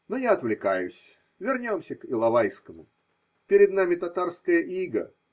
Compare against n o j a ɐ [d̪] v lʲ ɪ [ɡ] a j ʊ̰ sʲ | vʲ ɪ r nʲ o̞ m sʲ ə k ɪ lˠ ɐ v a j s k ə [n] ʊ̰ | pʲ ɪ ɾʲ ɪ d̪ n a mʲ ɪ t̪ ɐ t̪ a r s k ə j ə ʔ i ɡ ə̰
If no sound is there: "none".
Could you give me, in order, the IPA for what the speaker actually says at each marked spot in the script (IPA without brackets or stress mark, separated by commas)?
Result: t̪, k, m